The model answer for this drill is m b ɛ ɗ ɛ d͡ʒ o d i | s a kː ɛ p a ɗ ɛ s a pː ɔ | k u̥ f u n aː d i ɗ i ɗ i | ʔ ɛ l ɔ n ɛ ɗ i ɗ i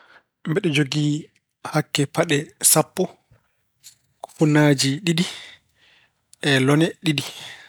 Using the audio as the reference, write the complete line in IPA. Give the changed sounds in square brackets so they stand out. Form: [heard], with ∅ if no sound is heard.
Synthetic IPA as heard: m b ɛ ɗ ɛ d͡ʒ o [ɡ] i | [h] a kː ɛ p a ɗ ɛ s a pː ɔ | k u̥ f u n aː [d͡ʒ] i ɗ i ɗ i | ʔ ɛ l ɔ n ɛ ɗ i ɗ i